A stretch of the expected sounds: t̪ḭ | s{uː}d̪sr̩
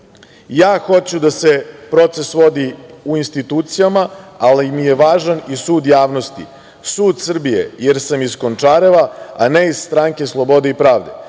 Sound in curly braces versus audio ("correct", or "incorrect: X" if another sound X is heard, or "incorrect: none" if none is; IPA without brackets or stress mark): correct